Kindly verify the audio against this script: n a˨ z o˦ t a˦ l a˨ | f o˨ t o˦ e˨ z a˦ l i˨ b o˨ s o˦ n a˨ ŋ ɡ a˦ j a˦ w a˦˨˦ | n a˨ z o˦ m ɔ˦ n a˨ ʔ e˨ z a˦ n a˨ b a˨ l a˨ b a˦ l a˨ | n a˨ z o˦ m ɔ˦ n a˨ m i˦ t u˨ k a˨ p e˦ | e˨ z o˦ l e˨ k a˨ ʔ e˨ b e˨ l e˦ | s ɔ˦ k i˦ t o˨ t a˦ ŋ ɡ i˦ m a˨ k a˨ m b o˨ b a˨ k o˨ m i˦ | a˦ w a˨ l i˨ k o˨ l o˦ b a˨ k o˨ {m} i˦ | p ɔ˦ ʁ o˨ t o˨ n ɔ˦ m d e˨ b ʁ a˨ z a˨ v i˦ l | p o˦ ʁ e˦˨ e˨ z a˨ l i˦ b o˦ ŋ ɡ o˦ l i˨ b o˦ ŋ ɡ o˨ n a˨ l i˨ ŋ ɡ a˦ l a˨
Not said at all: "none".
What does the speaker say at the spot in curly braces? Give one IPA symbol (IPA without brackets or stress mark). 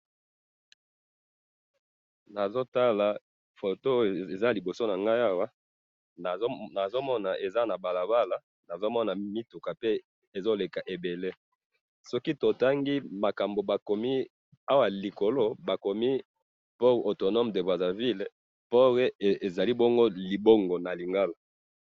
m